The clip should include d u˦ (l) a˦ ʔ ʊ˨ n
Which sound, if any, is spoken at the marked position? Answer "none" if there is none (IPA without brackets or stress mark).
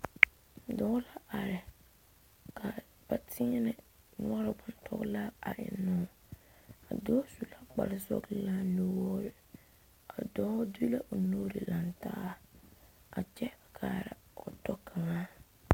l